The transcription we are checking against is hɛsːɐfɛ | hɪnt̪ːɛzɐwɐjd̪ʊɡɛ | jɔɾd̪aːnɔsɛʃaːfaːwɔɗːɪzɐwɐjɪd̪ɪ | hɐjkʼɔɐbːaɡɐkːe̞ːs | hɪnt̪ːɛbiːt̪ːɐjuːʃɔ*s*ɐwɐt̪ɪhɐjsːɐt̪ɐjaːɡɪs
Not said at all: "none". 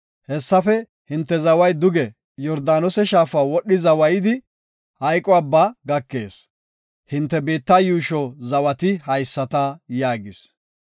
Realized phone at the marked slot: z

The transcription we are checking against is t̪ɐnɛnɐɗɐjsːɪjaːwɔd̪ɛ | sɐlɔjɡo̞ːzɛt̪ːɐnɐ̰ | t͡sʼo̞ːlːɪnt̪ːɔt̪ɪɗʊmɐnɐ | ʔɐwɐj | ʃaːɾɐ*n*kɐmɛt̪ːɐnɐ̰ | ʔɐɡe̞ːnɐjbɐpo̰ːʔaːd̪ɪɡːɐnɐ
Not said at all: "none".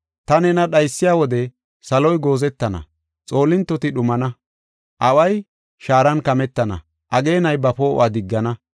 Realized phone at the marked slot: n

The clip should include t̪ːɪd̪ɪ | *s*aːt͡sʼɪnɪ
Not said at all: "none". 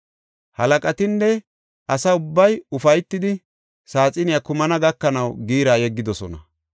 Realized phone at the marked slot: s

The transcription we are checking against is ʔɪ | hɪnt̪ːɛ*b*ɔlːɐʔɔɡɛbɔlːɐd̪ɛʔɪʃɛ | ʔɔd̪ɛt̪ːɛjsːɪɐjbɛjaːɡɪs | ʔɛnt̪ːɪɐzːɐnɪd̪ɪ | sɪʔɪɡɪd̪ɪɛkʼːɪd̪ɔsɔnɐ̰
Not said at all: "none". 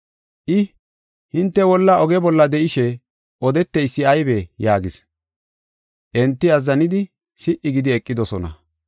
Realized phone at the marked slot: w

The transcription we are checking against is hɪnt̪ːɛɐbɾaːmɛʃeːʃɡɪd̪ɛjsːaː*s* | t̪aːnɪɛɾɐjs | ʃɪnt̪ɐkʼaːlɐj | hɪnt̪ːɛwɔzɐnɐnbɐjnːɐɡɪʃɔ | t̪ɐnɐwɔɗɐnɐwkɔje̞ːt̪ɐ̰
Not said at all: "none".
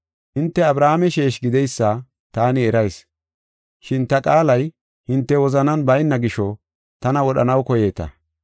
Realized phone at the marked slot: none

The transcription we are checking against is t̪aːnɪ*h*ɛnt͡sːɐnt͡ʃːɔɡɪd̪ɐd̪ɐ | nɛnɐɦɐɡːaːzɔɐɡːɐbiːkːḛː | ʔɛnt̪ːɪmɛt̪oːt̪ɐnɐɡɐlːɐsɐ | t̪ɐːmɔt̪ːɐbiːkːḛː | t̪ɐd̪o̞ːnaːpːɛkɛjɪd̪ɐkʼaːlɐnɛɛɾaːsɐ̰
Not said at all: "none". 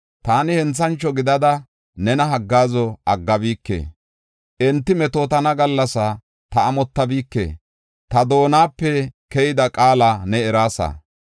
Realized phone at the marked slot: h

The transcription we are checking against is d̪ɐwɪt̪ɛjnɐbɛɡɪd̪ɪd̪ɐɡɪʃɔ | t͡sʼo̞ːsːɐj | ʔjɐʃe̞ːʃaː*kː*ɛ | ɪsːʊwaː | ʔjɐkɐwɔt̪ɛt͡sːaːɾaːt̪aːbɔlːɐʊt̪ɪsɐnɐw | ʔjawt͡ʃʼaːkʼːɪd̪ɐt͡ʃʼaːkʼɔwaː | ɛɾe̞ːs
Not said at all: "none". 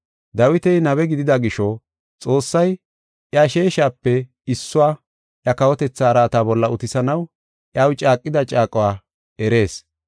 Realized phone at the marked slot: pː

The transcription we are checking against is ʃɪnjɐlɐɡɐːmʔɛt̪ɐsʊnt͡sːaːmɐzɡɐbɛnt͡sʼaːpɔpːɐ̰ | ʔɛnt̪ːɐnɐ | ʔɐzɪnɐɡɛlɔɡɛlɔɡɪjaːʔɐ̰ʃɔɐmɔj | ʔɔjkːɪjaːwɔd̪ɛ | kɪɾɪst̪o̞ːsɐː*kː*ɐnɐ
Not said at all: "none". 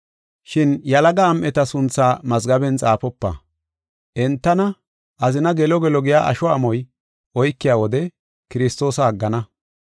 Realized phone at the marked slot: ɡː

